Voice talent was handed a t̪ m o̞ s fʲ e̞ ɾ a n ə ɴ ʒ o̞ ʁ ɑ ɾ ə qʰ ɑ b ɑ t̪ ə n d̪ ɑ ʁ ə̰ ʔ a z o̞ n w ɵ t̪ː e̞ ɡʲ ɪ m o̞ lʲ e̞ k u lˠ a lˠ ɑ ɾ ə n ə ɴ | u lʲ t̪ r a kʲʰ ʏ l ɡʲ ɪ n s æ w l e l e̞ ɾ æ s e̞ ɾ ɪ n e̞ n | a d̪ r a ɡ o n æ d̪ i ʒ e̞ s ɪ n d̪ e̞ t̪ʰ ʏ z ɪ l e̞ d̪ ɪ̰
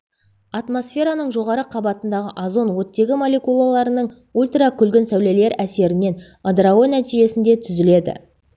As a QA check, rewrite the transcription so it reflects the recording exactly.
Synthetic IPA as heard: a t̪ m o̞ s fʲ e̞ ɾ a n ə ɴ ʒ o̞ ʁ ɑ ɾ ə qʰ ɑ b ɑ t̪ ə n d̪ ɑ ʁ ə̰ ʔ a z o̞ n w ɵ t̪ː e̞ ɡʲ ɪ m o̞ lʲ e̞ k u lˠ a lˠ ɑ ɾ ə n ə ɴ | u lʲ t̪ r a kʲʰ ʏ l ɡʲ ɪ n s æ w l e l e̞ ɾ æ s e̞ ɾ ɪ n e̞ n | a d̪ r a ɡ o n æ t̪ i ʒ e̞ s ɪ n d̪ e̞ t̪ʰ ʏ z ɪ l e̞ d̪ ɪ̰